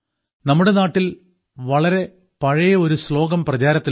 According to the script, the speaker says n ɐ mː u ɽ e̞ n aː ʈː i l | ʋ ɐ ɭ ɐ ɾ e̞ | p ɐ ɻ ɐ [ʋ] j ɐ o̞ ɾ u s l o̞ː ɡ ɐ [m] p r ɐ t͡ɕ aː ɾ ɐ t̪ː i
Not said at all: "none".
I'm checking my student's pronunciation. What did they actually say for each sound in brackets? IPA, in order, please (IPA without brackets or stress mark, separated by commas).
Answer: none, m